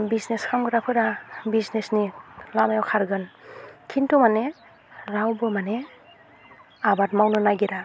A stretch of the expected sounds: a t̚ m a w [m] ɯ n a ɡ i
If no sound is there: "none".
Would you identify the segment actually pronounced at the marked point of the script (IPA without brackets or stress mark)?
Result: n